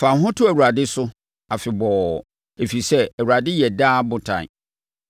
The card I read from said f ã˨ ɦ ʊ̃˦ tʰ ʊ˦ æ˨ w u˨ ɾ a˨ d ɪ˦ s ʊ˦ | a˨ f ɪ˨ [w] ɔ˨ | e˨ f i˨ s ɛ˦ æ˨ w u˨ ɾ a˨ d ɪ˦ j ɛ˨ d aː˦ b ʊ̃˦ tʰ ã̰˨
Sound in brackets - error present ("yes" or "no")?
yes